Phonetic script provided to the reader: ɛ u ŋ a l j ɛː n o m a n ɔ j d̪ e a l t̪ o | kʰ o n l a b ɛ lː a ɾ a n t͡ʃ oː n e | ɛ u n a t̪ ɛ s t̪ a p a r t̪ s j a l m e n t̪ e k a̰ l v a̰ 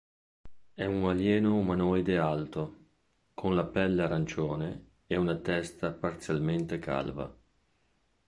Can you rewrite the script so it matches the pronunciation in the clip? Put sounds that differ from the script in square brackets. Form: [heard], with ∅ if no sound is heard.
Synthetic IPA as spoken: ɛ u ŋ a l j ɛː n o m a n ɔ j d̪ e a l t̪ o | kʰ o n l a [p] ɛ lː a ɾ a n t͡ʃ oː n e | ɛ u n a t̪ ɛ s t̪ a p a r t̪ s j a l m e n t̪ e k a̰ l v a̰